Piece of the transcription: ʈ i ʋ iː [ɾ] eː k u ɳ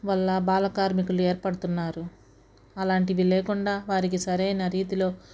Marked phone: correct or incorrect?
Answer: incorrect